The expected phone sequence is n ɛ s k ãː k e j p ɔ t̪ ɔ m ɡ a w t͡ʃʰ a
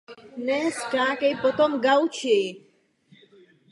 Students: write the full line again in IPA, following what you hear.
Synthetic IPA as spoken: n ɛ s k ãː k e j p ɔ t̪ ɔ m ɡ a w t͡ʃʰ e